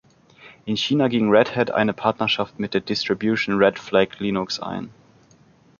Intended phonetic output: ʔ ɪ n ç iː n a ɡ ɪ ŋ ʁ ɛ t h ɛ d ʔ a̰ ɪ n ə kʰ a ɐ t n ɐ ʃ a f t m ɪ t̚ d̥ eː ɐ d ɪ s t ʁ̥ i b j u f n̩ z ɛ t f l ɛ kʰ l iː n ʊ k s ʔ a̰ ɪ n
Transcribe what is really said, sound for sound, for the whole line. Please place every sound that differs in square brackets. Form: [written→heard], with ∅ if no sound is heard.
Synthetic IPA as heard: ʔ ɪ n ç iː n a ɡ ɪ ŋ ʁ ɛ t h ɛ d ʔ a̰ ɪ n ə [kʰ→pʰ] a ɐ t n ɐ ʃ a f t m ɪ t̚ d̥ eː ɐ d ɪ s t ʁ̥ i b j u [f→ʃ] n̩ [z→ʁ] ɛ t f l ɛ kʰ l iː n ʊ k s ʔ a̰ ɪ n